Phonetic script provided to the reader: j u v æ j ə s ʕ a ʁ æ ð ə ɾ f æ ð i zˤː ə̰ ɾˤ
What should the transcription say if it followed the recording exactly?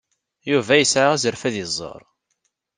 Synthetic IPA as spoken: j u v æ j ə s ʕ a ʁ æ z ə ɾ f æ ð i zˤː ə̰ ɾˤ